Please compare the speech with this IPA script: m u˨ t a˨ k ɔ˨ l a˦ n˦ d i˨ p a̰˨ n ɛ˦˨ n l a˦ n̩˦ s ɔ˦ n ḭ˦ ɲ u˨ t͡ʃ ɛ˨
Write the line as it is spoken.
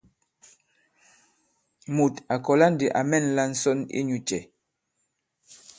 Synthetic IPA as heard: m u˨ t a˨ k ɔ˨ l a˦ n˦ d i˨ ʔ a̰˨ m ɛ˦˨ n l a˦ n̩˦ s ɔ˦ n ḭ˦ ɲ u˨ t͡ʃ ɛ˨